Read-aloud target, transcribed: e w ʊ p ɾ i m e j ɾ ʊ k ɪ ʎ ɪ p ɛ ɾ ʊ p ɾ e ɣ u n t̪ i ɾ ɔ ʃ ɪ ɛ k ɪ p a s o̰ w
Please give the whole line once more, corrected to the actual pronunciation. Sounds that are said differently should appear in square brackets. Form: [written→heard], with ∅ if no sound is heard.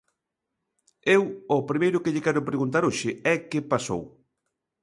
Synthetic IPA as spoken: e w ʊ p ɾ i m e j ɾ ʊ k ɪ ʎ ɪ [p→k] ɛ ɾ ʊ p ɾ e ɣ u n t̪ [i→a] ɾ [ɔ→o] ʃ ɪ ɛ k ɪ p a s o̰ w